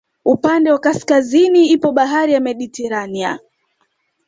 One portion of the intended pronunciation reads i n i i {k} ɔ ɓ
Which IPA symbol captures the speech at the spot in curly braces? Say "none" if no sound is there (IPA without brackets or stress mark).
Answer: p